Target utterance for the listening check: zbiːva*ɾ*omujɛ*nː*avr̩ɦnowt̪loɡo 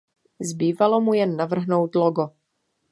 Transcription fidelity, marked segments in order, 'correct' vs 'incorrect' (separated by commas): incorrect, correct